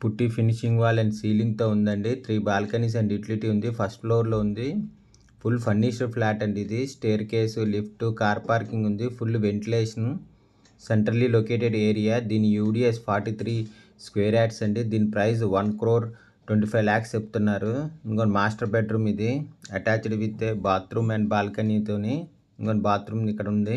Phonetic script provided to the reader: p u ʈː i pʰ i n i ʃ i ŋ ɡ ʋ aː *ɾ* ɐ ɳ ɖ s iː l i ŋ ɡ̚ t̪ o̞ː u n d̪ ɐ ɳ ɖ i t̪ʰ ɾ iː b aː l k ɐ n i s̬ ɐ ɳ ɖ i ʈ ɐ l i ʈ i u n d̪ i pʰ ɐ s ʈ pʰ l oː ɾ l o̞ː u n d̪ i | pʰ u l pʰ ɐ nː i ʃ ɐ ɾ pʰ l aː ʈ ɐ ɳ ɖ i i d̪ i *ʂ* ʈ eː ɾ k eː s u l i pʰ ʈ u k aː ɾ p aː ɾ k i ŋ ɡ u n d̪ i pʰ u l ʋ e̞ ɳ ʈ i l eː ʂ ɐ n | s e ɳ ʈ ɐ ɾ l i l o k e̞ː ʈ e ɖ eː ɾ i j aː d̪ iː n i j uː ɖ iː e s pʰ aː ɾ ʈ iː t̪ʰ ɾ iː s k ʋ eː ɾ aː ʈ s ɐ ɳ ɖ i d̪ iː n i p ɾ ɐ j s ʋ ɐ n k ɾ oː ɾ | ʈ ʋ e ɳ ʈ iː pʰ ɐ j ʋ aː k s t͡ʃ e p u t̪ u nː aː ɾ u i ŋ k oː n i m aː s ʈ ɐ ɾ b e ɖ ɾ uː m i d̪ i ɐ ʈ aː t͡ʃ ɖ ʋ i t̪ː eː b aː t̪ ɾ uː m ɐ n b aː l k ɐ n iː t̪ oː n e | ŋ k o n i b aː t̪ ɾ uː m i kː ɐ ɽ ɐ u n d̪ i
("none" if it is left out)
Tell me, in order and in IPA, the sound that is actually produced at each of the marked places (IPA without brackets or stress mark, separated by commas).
l, s